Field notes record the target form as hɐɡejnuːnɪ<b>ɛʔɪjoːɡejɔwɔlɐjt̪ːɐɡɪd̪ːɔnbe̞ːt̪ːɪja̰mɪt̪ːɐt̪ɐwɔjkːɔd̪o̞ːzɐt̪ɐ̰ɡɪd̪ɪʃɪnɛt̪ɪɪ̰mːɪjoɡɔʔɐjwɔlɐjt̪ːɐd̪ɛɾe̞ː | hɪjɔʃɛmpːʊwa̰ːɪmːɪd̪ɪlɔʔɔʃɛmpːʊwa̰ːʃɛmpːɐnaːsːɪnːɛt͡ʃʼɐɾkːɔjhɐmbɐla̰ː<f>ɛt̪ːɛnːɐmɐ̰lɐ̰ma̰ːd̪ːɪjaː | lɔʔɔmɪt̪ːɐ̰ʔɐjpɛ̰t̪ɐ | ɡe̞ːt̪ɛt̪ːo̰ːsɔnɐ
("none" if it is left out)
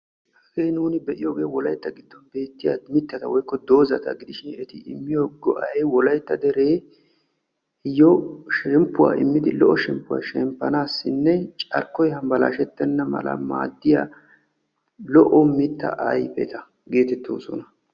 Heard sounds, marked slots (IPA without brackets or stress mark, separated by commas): b, ʃ